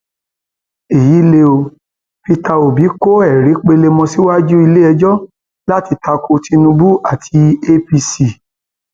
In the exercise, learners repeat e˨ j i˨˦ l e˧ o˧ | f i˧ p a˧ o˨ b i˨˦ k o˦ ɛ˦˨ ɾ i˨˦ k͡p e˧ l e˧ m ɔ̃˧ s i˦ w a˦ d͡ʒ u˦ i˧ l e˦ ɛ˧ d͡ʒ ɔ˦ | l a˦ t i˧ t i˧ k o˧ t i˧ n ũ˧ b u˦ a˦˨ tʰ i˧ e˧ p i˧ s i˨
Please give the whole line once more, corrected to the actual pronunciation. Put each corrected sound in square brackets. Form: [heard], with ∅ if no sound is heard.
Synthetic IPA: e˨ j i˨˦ l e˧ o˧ | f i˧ [t] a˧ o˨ b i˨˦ k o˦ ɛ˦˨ ɾ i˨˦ k͡p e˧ l e˧ m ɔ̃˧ s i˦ w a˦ d͡ʒ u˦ i˧ l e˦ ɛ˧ d͡ʒ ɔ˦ | l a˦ t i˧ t [a˧] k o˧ t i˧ n ũ˧ b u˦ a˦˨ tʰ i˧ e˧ p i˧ s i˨